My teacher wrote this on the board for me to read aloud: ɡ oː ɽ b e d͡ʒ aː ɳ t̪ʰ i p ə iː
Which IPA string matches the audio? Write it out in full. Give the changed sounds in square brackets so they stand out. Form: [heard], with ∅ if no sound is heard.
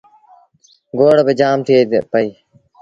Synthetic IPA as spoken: ɡ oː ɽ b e d͡ʒ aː [m] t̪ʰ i p ə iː